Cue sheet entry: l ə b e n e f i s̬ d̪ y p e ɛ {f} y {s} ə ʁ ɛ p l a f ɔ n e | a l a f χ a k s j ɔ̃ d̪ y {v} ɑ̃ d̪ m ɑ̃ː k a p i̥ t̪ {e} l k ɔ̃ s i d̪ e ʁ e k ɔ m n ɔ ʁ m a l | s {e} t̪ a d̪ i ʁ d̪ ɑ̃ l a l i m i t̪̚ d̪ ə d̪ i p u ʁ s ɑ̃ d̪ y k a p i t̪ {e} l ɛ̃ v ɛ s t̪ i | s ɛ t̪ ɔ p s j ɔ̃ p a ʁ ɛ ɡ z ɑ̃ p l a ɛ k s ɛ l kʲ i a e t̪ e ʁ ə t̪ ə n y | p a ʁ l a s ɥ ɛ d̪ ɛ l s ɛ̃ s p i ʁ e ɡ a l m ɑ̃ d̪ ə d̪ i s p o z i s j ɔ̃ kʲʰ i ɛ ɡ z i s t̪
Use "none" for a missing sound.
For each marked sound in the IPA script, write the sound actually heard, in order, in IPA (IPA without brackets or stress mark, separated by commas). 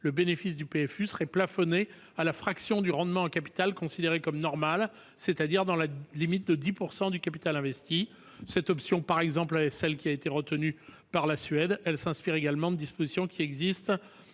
f, s, ʁ, a, e, a